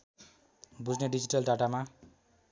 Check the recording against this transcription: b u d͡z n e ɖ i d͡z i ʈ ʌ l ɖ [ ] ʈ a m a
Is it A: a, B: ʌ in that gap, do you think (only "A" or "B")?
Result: A